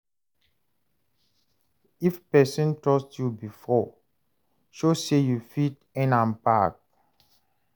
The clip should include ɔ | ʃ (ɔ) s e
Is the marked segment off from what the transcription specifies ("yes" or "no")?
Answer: yes